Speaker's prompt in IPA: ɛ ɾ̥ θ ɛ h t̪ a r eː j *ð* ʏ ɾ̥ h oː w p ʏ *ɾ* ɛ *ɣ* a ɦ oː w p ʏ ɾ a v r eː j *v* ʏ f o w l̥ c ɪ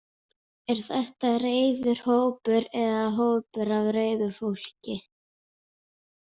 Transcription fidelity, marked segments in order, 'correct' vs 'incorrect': correct, correct, incorrect: ð, incorrect: ð

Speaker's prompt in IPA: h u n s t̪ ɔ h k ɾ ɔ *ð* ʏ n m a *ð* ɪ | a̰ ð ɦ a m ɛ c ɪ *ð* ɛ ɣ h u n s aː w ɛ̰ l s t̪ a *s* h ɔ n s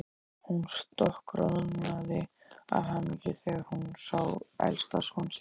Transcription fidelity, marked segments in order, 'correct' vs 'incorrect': correct, correct, incorrect: θ, correct

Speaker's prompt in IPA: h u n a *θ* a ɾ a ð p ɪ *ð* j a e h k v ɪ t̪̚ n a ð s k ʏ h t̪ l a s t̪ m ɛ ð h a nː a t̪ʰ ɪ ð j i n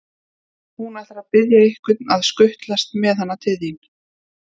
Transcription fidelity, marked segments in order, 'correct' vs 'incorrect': correct, correct

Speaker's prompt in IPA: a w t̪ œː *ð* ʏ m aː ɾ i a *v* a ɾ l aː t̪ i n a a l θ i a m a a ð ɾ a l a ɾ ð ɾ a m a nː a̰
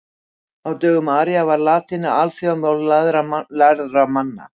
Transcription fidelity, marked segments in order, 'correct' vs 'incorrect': incorrect: ɣ, correct

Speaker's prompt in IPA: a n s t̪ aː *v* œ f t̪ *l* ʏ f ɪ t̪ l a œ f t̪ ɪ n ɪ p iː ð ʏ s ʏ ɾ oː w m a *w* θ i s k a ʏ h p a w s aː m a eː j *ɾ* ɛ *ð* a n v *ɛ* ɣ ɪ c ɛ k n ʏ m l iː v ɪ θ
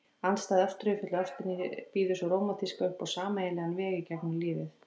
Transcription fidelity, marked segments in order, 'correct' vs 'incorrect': incorrect: ð, incorrect: ɾ, incorrect: none, incorrect: l, incorrect: ɣ, incorrect: ɛː

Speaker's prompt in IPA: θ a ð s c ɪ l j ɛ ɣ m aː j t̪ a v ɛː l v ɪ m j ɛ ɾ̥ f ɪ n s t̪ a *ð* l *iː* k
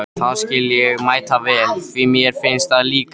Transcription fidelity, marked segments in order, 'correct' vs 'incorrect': correct, correct

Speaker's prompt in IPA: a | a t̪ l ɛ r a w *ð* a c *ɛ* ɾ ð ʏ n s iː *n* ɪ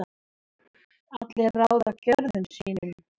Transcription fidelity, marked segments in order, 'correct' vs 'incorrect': correct, incorrect: œ, correct

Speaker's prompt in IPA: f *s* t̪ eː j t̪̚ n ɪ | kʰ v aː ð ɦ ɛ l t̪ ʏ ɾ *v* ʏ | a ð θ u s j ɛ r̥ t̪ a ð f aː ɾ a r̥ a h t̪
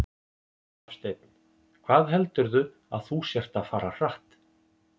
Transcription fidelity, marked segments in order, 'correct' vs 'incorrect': correct, incorrect: ð

